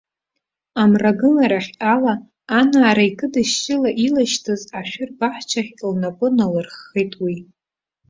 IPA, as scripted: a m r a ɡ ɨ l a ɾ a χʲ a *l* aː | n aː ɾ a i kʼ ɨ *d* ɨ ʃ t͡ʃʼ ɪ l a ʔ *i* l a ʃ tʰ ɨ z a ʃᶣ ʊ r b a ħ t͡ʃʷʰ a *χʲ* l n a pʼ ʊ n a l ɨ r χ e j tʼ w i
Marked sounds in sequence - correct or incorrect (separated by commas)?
correct, correct, correct, correct